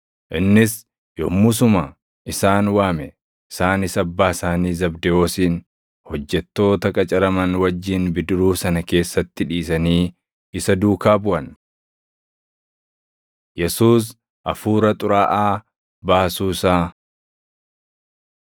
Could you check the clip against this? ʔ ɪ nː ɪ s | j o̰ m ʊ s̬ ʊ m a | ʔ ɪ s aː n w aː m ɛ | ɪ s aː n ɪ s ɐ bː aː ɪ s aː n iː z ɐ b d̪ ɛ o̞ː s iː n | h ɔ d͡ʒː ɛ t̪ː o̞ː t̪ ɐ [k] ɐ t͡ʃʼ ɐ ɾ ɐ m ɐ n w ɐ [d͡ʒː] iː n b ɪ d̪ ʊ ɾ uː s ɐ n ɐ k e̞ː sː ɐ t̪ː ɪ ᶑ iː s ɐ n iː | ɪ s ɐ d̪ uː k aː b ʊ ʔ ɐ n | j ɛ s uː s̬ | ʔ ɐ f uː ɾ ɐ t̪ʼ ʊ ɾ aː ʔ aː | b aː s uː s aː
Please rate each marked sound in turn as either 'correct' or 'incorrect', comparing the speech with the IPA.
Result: incorrect, correct

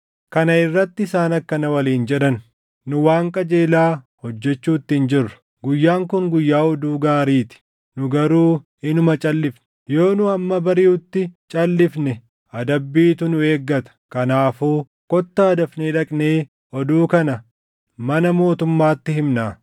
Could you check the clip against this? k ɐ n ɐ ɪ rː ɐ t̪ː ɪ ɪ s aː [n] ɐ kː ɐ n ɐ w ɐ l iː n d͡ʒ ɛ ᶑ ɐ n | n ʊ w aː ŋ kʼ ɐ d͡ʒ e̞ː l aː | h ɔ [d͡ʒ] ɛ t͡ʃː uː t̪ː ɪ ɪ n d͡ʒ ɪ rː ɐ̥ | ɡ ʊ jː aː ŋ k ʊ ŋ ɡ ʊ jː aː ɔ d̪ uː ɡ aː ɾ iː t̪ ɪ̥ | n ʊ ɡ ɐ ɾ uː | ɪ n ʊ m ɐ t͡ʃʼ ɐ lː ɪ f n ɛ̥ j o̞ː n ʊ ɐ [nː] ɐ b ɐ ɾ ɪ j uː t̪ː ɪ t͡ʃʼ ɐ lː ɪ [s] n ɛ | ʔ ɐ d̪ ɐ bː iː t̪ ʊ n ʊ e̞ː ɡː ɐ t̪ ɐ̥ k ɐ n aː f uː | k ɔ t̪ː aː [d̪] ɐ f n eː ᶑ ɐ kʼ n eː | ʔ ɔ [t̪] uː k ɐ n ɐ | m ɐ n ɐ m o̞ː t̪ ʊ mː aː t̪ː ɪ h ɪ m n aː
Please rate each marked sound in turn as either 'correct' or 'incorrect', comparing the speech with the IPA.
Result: correct, incorrect, incorrect, incorrect, correct, incorrect

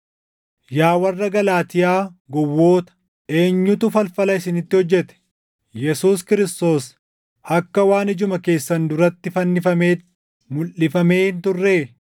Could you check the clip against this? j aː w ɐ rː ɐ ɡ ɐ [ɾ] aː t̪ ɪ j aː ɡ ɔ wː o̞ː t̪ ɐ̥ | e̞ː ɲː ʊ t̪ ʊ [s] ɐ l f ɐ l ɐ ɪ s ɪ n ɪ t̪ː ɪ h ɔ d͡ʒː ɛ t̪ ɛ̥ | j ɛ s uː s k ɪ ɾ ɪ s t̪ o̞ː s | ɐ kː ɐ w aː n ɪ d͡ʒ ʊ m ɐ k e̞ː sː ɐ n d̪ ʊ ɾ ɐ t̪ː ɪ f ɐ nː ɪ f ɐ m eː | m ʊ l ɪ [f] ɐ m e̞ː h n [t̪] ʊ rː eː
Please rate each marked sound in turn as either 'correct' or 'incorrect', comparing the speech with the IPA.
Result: incorrect, incorrect, correct, correct

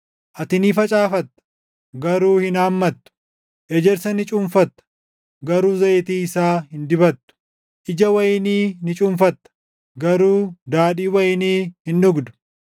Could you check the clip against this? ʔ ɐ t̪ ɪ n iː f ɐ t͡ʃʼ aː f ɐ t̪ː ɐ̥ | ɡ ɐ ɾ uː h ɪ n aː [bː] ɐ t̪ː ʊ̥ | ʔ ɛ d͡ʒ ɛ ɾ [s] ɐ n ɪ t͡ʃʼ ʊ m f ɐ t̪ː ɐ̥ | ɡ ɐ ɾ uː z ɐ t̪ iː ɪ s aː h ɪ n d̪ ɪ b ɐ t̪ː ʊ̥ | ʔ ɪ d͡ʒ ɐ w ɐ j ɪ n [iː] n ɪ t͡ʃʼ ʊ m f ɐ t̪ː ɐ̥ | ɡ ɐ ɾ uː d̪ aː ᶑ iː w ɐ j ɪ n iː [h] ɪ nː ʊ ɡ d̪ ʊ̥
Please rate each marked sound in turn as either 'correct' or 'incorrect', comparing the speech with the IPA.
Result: incorrect, correct, correct, correct

